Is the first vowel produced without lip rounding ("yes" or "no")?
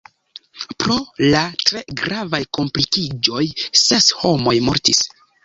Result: no